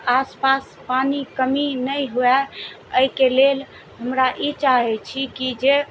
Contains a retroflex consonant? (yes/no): no